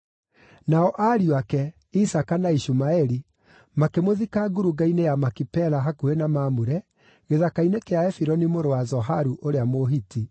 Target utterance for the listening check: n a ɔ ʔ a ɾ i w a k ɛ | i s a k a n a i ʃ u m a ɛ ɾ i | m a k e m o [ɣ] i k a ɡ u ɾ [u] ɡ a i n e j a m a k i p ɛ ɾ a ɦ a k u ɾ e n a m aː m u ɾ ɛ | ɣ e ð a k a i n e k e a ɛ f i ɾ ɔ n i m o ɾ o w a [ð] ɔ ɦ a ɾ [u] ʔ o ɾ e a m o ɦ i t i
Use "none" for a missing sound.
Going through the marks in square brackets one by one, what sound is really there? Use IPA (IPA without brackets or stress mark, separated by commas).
ð, u, z, u